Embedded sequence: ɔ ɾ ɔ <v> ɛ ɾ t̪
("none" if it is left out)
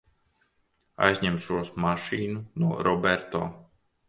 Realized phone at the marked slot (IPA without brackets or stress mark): b